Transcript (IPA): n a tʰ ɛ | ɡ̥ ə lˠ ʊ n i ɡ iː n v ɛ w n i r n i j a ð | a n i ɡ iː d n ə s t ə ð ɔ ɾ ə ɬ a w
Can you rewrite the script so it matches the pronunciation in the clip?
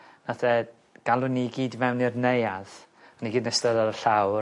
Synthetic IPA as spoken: n a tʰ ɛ | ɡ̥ a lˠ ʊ n i ɡ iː d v ɛ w n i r n e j a ð | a n i ɡ iː d n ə s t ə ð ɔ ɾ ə ɬ a w